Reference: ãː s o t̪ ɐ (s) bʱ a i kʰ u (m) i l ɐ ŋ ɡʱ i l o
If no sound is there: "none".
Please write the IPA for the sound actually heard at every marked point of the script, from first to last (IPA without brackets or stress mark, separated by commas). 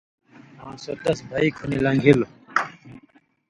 s, n